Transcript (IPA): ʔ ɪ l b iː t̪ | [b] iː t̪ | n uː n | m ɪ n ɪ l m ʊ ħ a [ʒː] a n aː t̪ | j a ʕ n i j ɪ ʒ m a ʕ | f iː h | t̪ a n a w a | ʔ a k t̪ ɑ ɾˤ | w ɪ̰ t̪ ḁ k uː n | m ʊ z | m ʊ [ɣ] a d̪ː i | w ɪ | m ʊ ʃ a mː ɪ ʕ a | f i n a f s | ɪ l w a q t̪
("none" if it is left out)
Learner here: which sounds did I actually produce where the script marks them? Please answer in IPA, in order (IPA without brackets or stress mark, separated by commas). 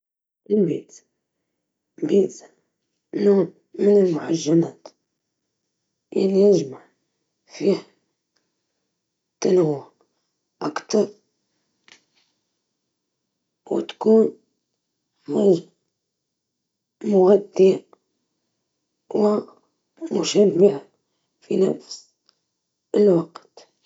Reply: b, ʒː, ɣ